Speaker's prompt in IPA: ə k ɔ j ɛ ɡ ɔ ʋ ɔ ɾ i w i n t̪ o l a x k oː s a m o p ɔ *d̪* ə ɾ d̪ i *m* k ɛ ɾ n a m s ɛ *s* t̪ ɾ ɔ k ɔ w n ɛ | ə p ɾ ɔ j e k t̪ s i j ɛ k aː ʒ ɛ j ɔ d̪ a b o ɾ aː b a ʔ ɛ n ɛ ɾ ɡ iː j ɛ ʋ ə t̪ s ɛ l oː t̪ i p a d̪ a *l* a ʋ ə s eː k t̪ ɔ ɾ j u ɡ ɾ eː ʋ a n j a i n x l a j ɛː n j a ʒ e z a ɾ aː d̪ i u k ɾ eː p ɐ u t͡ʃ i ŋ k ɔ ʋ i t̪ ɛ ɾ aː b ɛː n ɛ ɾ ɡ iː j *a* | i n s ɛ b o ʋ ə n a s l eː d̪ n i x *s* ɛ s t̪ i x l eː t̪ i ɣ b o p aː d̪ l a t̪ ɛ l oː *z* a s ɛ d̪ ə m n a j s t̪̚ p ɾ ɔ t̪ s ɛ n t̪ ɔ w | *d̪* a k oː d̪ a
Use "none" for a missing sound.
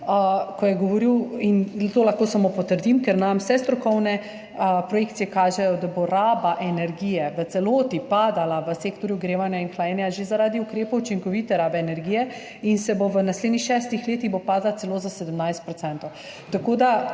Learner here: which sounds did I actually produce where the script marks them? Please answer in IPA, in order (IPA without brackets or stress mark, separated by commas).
t̪, m, s, l, ɛ, ʃ, z, t̪